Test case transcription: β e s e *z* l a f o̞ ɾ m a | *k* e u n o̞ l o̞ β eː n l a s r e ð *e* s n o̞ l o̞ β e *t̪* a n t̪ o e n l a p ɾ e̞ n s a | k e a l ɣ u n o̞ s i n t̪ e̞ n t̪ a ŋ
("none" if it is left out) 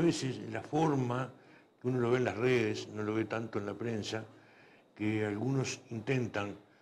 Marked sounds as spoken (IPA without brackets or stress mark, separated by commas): s, k, e, t̪